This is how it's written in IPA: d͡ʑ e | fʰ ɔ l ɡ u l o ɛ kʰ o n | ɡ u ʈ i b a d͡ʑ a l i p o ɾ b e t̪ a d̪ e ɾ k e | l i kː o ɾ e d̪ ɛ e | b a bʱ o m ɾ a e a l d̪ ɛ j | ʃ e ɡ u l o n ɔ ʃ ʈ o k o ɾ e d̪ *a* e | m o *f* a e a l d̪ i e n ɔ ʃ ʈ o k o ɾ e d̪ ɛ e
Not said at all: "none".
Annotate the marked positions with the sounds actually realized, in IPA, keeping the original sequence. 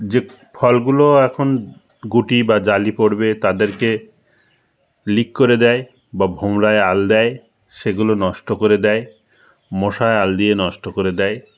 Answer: ɛ, ʃ

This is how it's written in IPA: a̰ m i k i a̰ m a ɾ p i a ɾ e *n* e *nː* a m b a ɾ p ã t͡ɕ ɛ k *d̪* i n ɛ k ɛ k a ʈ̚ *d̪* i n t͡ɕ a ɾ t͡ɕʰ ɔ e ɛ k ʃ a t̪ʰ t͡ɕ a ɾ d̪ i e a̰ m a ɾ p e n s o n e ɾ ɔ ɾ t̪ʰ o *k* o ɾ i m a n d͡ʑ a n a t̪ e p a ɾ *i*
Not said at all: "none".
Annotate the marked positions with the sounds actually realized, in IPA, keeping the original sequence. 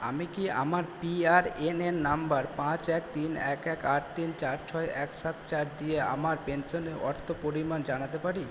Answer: n, nː, t̪, t̪, p, i

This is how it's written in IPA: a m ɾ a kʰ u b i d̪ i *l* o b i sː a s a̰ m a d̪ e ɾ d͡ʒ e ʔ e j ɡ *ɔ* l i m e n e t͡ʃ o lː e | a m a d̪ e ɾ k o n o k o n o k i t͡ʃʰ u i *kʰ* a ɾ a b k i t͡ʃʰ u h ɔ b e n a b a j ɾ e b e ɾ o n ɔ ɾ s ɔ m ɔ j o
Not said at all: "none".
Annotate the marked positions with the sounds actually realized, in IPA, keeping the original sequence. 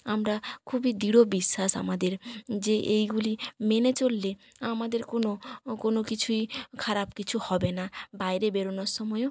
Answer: ɽ, u, kʰ

